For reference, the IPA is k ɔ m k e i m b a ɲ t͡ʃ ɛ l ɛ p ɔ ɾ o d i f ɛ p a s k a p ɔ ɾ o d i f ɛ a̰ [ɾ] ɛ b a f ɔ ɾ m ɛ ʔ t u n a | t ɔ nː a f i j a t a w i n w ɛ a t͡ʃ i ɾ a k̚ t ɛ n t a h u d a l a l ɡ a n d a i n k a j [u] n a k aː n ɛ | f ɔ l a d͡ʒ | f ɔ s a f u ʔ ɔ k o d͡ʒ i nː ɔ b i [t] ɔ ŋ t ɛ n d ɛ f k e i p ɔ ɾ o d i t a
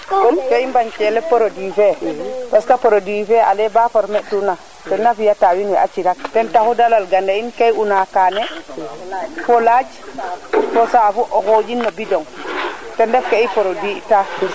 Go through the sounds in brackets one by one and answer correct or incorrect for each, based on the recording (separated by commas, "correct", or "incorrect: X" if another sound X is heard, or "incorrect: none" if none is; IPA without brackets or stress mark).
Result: incorrect: l, correct, incorrect: d